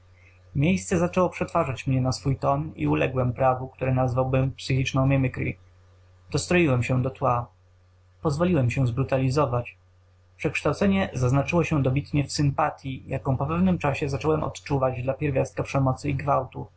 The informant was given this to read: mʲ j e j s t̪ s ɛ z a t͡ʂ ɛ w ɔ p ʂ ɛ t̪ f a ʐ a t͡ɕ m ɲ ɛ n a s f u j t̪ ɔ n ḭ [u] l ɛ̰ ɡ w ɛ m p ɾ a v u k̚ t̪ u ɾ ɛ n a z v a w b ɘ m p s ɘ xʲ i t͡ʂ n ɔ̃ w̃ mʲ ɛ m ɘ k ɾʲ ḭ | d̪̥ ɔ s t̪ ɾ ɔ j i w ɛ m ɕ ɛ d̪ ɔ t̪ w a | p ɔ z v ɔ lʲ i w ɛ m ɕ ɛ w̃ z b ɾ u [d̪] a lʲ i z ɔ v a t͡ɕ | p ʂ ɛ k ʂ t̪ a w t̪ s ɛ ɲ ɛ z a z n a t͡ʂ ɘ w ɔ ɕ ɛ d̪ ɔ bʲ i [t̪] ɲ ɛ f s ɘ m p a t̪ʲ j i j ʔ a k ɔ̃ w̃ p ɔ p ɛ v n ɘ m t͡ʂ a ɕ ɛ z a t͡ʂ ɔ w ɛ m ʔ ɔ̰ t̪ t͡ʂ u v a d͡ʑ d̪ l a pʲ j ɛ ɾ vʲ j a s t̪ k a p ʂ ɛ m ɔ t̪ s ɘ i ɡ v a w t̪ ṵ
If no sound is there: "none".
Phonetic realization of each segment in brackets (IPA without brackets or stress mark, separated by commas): u, t̪, t̪